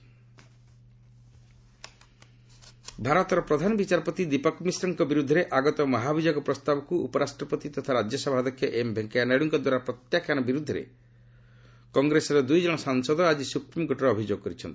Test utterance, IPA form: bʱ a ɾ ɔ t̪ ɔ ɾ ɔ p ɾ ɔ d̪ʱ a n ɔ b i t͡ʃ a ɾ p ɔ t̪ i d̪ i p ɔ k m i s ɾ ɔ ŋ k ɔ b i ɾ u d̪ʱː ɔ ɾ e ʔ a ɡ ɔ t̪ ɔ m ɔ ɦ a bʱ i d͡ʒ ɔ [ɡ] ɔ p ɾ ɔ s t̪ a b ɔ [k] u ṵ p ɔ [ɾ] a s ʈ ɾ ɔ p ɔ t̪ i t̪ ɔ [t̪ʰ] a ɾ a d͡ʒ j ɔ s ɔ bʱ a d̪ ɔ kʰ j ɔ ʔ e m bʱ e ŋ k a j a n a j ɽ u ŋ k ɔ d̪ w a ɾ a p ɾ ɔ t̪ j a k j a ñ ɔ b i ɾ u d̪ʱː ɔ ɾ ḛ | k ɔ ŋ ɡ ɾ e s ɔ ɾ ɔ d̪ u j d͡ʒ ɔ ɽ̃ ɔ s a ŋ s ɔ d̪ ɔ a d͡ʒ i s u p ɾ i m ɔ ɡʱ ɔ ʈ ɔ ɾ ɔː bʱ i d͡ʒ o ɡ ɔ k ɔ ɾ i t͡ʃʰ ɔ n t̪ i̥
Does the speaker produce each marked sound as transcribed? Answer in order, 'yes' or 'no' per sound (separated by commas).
yes, yes, yes, yes